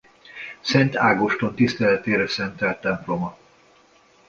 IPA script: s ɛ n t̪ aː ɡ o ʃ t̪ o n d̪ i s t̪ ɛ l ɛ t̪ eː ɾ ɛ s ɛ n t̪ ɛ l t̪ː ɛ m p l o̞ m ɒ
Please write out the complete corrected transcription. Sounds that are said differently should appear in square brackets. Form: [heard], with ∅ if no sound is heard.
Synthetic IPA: s ɛ n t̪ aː ɡ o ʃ t̪ o n [t̪] i s t̪ ɛ l ɛ t̪ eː ɾ ɛ s ɛ n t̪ ɛ l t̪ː ɛ m p l o̞ m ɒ